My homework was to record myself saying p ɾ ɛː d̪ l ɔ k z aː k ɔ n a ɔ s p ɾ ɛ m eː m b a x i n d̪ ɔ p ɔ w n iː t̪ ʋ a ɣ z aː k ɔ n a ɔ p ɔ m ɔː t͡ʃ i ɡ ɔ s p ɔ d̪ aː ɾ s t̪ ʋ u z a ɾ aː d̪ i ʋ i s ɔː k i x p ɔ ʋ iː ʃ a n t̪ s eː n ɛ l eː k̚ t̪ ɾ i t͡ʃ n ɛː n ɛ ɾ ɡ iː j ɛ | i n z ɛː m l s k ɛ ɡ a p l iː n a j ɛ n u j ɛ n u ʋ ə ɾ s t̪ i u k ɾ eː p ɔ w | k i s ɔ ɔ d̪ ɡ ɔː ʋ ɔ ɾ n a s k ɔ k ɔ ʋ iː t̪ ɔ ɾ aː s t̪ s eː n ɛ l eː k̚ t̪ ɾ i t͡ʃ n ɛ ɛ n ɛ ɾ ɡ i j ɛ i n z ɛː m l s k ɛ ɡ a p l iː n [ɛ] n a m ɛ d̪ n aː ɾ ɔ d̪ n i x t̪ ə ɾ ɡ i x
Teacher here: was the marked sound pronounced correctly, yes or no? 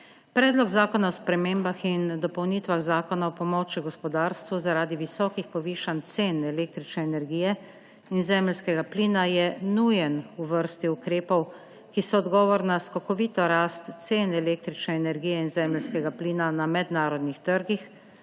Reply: no